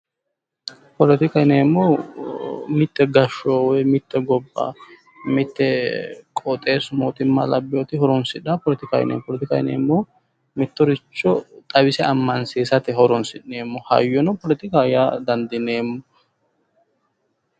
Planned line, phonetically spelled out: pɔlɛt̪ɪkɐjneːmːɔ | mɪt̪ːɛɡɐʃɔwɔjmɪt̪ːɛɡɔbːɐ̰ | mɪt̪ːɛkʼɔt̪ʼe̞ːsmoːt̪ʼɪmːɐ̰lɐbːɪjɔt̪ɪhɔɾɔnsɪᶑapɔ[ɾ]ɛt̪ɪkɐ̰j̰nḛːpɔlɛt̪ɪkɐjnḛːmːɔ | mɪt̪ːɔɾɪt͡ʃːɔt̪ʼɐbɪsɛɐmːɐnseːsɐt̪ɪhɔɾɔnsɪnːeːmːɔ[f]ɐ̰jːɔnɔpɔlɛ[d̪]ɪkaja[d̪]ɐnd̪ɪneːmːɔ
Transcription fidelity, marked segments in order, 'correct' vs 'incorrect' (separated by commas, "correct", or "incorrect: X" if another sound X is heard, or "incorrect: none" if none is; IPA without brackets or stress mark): incorrect: l, incorrect: h, incorrect: t̪, correct